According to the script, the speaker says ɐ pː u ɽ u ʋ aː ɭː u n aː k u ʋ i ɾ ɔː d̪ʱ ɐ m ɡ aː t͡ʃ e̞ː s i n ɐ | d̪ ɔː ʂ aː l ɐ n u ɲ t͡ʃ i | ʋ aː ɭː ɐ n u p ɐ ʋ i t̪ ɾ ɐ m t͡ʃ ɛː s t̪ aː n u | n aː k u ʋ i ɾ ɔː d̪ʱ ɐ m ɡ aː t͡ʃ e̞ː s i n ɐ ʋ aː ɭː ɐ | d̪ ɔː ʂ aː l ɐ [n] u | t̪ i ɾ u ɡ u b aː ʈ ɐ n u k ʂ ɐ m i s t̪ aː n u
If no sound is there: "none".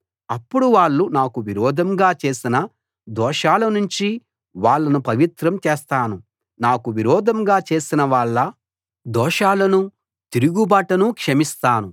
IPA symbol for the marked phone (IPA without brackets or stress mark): n